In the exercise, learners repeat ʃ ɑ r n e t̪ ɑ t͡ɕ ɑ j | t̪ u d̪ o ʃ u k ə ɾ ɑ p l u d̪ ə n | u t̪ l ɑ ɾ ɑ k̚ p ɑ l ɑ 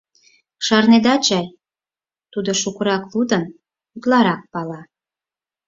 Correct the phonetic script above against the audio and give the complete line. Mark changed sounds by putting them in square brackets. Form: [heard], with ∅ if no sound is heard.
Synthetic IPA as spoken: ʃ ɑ r n e [d̪] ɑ t͡ɕ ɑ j | t̪ u d̪ o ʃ u k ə ɾ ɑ [k] l u d̪ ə n | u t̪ l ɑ ɾ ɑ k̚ p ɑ l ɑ

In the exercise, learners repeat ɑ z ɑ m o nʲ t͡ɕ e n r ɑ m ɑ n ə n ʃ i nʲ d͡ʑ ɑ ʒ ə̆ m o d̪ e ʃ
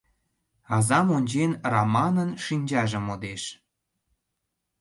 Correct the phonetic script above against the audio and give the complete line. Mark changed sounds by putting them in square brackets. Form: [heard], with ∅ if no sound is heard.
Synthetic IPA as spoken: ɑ z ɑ m o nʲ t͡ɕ e n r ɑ m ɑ n ə n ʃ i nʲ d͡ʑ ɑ ʒ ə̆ m o d̪ e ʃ

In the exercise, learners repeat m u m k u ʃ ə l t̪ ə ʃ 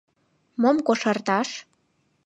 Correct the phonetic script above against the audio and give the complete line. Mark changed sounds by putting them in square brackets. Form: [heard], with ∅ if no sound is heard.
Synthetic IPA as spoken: m [o] m k [o] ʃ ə [r] t̪ [ɑ] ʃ

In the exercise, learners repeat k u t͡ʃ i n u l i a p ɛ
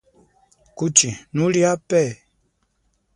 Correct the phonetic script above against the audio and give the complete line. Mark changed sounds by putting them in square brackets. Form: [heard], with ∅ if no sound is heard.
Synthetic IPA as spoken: k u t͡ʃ i n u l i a p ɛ

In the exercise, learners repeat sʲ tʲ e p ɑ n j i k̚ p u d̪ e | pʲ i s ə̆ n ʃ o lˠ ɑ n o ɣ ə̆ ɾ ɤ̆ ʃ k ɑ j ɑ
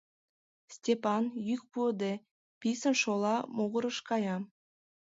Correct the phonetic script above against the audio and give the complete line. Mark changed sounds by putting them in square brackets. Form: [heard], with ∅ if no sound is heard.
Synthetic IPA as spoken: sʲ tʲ e p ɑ n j [y] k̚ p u d̪ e | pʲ i s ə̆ n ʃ o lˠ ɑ [m] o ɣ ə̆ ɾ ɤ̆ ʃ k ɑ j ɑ

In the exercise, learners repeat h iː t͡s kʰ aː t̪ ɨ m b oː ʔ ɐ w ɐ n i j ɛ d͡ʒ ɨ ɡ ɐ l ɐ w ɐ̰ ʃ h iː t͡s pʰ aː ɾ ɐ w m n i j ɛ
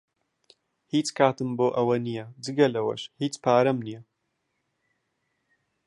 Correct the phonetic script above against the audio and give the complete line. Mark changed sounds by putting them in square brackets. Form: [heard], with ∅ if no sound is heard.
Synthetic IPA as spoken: h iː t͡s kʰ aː t̪ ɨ m b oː ʔ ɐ w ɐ n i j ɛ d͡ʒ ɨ ɡ ɐ l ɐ w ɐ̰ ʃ h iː t͡s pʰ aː ɾ ɐ [∅] m n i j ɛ

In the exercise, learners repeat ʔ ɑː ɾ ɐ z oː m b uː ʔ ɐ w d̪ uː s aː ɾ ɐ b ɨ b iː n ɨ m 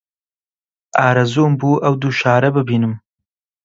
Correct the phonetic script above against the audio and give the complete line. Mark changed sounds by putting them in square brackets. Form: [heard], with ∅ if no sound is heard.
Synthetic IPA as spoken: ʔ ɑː ɾ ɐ z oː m b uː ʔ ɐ w d̪ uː [ʃ] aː ɾ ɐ b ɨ b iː n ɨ m

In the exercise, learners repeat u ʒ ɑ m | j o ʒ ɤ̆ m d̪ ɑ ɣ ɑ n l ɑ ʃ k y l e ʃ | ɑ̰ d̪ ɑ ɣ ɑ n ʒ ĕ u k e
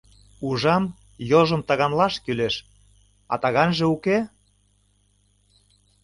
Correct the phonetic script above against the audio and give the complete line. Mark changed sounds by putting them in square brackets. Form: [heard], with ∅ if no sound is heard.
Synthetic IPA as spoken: u ʒ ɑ m | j o ʒ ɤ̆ m [t̪] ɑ ɣ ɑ n l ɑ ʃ k y l e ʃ | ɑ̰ [t̪] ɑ ɣ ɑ n ʒ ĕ u k e

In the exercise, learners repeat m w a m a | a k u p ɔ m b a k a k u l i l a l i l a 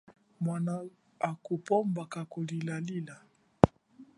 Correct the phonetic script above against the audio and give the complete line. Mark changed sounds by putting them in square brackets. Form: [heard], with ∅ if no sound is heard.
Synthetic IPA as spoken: m w a [n] a | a k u p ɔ m b a k a k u l i l a l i l a

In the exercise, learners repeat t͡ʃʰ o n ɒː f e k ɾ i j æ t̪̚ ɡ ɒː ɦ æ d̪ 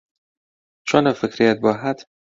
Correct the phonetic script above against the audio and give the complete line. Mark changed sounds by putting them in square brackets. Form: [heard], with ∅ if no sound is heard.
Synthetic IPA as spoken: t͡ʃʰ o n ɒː f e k ɾ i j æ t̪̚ [b] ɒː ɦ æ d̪

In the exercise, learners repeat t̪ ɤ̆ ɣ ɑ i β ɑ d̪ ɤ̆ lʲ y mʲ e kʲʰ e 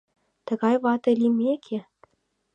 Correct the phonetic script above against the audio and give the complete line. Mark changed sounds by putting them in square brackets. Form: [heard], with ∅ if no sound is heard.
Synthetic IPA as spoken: t̪ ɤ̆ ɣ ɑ [j] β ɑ [t̪] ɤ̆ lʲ [i] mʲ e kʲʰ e

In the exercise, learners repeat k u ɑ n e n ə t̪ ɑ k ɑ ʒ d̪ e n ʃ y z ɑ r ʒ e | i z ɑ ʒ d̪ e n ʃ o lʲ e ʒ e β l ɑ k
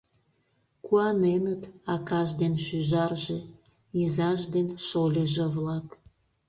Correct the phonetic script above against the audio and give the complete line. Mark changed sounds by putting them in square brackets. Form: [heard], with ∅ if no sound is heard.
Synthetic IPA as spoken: k u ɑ n e n ə t̪ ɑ k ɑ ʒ d̪ e n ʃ y [ʒ] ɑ r ʒ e | i z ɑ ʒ d̪ e n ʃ o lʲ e ʒ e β l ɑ k

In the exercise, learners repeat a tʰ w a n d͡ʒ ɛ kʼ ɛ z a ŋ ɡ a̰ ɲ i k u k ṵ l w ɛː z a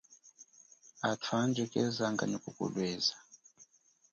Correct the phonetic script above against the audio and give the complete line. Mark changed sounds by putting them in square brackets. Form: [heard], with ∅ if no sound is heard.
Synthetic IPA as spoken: a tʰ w a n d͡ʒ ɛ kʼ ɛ z a ŋ ɡ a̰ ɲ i k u k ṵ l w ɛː z a

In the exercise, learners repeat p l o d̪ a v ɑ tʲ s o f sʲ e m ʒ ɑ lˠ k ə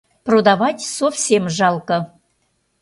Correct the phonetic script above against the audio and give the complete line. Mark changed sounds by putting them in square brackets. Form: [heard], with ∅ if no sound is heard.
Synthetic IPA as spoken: p [r] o d̪ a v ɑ tʲ s o f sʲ e m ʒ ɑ lˠ k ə

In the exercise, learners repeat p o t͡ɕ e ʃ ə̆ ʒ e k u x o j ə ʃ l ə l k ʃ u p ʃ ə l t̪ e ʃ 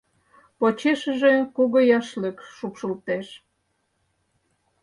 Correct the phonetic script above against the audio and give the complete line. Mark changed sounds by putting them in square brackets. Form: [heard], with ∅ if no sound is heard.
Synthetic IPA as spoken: p o t͡ɕ e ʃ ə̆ ʒ e k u [ɣ] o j [ɑ] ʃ l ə [∅] k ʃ u p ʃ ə l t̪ e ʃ

